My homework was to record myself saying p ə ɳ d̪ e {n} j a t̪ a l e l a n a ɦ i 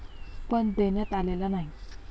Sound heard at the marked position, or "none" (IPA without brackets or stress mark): n